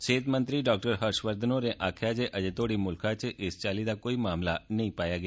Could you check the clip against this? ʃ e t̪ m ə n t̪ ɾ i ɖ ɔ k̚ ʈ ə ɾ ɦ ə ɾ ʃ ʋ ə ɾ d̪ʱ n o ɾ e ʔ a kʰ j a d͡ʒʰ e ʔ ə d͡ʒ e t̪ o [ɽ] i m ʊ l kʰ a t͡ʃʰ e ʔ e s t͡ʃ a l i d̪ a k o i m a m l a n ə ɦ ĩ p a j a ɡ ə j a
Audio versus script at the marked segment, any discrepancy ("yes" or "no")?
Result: no